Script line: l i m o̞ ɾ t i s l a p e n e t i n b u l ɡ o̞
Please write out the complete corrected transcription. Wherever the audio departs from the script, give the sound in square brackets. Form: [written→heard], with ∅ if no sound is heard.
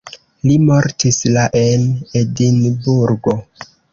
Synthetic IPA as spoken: l i m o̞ ɾ t i s l a [p→ʔ] e n e [t→d] i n b u [l→ɾ] ɡ o̞